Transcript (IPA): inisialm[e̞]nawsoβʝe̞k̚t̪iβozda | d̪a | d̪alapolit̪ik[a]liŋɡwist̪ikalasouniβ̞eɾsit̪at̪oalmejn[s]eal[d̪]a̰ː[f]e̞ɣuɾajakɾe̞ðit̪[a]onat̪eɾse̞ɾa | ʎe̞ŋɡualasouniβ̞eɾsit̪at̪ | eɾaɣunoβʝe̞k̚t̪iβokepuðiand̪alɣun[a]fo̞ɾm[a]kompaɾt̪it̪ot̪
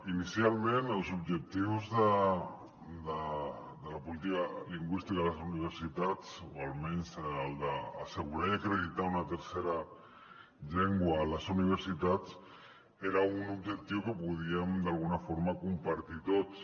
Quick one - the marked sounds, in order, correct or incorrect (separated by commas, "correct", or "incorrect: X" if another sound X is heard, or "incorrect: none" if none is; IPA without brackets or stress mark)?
correct, correct, correct, correct, incorrect: s, correct, correct, correct